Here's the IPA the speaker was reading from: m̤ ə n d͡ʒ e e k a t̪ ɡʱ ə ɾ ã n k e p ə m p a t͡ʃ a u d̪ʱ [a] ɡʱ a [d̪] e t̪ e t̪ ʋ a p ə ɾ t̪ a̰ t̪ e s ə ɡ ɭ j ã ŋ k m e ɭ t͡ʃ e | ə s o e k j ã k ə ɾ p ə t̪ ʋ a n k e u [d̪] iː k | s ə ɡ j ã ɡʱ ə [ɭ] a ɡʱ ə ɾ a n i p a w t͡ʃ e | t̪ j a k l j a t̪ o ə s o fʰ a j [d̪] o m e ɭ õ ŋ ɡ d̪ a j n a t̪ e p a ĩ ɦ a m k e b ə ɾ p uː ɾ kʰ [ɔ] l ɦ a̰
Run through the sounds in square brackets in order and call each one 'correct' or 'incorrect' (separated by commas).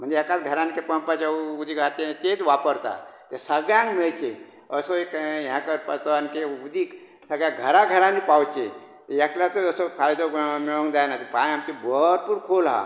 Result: incorrect, incorrect, correct, incorrect, correct, incorrect